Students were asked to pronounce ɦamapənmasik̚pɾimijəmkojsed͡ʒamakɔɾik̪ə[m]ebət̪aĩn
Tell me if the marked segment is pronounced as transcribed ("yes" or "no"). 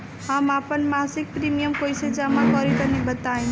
no